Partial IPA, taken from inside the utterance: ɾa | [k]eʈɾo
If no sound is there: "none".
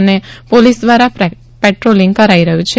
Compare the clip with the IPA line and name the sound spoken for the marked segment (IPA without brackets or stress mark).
p